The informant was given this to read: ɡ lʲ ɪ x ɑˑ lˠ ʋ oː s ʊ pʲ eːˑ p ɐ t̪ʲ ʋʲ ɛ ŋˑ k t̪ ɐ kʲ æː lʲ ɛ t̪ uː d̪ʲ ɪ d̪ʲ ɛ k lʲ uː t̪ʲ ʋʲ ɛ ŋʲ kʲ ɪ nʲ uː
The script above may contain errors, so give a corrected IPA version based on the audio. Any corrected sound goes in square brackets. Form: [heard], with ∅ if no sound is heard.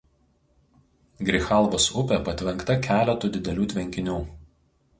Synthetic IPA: ɡ [ɾʲ] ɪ x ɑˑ lˠ ʋ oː s ʊ pʲ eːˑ p ɐ t̪ʲ ʋʲ ɛ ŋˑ k t̪ ɐ kʲ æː lʲ ɛ t̪ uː d̪ʲ ɪ d̪ʲ ɛ [∅] lʲ uː t̪ʲ ʋʲ ɛ ŋʲ kʲ ɪ nʲ uː

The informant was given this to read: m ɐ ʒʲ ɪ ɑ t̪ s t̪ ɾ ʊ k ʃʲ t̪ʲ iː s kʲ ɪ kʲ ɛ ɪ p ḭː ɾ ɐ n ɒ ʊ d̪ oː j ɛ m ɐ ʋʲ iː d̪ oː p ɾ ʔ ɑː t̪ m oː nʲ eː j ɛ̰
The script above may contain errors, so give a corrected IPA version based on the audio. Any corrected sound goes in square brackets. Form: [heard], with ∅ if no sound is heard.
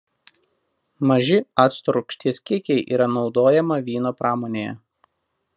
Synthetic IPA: m ɐ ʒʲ ɪ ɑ t̪ s t̪ ɾ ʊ k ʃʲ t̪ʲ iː s kʲ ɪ kʲ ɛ ɪ [ʔ] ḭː ɾ ɐ n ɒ ʊ d̪ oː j ɛ m ɐ ʋʲ iː [n̪] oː p ɾ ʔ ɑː [∅] m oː nʲ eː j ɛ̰

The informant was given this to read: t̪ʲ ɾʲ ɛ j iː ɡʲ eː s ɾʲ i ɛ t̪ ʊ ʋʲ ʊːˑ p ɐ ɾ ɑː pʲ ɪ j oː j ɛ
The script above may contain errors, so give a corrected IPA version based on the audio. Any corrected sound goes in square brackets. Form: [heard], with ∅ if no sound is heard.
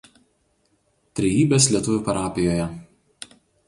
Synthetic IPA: t̪ʲ ɾʲ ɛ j iː [bʲ] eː s [lʲ] i ɛ t̪ ʊ ʋʲ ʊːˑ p ɐ ɾ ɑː pʲ ɪ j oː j ɛ

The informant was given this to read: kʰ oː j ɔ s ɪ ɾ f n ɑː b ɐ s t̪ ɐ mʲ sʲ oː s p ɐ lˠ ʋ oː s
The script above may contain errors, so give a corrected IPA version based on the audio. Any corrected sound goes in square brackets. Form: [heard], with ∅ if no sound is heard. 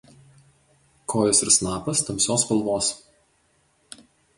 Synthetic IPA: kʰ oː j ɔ s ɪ ɾ [s] n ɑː [p] ɐ s t̪ ɐ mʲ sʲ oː s p ɐ lˠ ʋ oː s

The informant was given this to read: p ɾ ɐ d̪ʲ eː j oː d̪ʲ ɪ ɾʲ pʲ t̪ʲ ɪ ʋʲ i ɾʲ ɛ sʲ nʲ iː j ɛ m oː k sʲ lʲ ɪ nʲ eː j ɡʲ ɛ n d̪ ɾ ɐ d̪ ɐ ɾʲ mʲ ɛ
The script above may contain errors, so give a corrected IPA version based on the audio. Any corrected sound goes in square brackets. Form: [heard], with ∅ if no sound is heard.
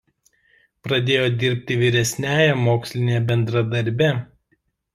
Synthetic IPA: p ɾ ɐ d̪ʲ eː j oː d̪ʲ ɪ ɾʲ pʲ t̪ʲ ɪ ʋʲ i ɾʲ ɛ sʲ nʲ [æː] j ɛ m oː k sʲ lʲ ɪ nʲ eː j [bʲ] ɛ n d̪ ɾ ɐ d̪ ɐ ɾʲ [bʲ] ɛ

